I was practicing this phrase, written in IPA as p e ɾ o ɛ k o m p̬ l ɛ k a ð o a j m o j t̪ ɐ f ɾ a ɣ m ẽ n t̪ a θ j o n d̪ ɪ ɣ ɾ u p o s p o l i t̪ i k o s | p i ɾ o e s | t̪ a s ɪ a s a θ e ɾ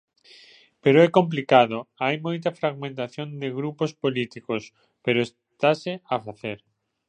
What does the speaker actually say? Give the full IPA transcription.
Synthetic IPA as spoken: p e ɾ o ɛ k o m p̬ l i k a ð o a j m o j t̪ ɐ f ɾ a ɣ m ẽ n t̪ a θ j o n d̪ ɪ ɣ ɾ u p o s p o l i t̪ i k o s | p e ɾ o e s | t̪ a s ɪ a f a θ e ɾ